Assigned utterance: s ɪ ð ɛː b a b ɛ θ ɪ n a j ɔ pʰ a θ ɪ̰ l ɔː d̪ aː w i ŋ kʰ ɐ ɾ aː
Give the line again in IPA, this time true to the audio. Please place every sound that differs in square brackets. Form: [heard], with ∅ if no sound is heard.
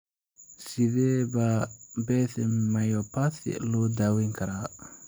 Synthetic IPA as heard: s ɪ ð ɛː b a b ɛ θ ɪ [m] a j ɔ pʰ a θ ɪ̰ l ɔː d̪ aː w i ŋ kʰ ɐ ɾ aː